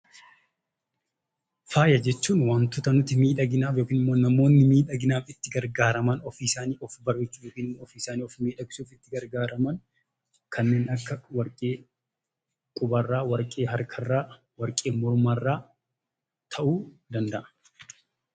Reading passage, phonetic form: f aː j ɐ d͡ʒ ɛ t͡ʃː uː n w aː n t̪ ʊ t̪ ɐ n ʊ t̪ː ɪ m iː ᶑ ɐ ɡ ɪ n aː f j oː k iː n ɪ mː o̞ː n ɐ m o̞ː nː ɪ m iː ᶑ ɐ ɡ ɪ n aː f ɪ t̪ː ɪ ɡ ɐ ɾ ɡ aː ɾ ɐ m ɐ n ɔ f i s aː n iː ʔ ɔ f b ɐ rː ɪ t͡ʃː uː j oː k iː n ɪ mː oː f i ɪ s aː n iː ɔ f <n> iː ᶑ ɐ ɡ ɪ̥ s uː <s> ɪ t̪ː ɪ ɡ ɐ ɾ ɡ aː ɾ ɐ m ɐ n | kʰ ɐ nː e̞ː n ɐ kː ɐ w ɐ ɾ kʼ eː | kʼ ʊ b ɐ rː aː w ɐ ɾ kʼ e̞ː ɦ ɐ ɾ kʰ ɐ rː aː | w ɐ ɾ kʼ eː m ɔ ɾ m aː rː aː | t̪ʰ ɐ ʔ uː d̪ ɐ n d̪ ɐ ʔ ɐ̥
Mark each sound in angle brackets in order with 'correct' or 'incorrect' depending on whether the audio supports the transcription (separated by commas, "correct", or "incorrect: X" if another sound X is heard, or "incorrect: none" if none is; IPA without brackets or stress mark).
incorrect: m, incorrect: f